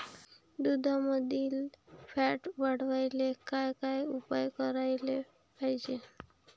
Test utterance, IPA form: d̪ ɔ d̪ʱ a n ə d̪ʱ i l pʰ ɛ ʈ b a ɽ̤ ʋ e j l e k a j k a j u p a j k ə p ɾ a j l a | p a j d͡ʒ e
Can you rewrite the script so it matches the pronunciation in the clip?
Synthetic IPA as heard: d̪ u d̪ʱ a m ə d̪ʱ i l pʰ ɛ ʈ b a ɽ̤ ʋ a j l e k a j k a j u p a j k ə ɾ a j l e | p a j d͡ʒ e